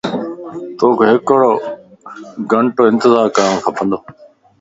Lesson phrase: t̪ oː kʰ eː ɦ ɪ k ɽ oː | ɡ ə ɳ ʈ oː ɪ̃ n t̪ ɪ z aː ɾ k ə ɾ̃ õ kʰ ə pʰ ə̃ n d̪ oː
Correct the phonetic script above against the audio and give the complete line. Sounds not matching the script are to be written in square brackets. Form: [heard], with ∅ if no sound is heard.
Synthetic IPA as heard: t̪ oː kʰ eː ɦ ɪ k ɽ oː | ɡ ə ɳ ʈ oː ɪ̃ n t̪ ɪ z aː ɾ k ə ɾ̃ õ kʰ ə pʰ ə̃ n d̪ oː